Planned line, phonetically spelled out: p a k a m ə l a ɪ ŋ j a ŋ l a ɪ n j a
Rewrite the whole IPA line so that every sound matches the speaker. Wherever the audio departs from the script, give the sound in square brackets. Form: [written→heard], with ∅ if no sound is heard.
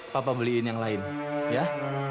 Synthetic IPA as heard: p a [k→p] a [m→b] ə l [a→i] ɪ [ŋ→n] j a ŋ l a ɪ n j a